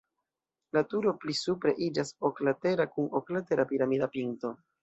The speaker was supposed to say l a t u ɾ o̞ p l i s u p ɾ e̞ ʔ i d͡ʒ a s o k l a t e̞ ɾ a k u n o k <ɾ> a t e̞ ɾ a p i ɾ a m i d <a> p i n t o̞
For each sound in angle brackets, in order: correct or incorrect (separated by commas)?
incorrect, correct